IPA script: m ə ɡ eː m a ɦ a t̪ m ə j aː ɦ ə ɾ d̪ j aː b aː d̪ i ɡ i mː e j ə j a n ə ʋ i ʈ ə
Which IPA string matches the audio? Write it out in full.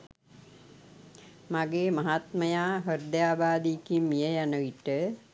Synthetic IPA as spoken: m a ɡ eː m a ɦ a t̪ m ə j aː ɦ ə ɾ d̪ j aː b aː d̪ i k i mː i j ə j a n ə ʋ i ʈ ə

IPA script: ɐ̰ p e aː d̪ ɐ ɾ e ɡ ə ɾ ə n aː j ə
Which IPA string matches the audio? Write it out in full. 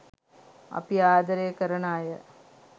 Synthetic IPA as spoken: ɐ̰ p i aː d̪ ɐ ɾ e k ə ɾ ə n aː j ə

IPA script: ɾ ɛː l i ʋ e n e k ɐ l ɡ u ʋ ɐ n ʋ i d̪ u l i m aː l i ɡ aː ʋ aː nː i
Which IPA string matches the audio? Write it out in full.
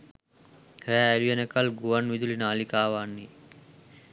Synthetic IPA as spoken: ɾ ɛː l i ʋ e n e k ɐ l ɡ u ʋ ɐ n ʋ i d̪ u l i n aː l i k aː ʋ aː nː i

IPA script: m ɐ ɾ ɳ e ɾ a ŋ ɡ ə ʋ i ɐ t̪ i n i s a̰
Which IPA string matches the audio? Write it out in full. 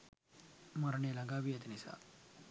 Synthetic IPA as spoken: m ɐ ɾ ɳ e l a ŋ ɡ a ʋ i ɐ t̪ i n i s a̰

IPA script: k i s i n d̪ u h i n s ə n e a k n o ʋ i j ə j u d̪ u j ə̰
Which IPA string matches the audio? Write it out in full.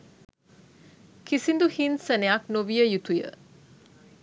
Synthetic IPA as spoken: k i s i n d̪ u h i n s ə n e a k n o ʋ i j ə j u t̪ u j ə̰

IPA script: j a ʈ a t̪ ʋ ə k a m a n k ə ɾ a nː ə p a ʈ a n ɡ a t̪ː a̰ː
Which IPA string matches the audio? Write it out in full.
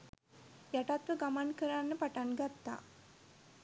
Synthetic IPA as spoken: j a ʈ a t̪ ʋ ə ɡ a m a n k ə ɾ a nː ə p a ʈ a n ɡ a t̪ː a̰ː

